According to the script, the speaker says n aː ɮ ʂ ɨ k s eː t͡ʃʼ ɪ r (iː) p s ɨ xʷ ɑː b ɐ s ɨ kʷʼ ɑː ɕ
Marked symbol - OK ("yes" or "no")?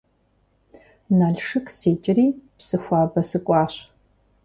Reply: yes